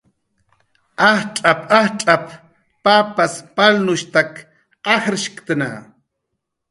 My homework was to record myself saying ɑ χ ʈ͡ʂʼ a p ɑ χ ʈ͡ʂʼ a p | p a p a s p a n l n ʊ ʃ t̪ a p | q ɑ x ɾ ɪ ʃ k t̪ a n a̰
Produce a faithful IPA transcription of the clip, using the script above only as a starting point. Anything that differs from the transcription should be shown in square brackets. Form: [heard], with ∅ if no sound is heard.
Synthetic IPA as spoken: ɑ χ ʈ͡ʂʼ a p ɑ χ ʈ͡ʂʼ a p | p a p a s p a [∅] l n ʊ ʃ t̪ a [k] | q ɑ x ɾ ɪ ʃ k t̪ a n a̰